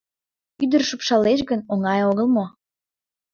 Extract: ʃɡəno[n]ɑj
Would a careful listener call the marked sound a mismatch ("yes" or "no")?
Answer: yes